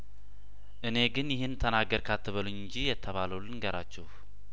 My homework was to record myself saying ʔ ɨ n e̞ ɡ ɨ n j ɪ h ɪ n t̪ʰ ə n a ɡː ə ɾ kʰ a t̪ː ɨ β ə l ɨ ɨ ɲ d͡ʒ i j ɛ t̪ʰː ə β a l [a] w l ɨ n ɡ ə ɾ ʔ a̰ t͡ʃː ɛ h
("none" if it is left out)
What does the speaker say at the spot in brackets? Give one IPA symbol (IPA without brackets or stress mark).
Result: ə